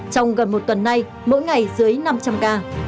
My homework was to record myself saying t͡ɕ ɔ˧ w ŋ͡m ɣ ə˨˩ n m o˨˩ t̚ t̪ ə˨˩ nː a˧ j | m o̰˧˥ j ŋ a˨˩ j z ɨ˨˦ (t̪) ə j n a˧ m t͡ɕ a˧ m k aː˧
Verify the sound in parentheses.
incorrect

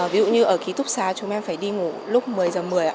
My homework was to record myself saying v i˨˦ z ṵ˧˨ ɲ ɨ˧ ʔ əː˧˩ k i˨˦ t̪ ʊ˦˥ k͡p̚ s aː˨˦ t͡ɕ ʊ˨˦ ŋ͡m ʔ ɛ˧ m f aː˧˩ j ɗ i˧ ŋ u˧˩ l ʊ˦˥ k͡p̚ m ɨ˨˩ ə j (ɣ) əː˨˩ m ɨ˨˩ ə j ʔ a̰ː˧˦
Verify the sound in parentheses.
incorrect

